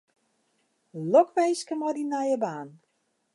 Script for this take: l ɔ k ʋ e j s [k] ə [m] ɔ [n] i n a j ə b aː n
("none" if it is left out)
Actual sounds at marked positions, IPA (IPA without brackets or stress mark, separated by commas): k, m, d